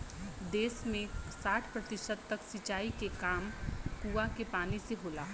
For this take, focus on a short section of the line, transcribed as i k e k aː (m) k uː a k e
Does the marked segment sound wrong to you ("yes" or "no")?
no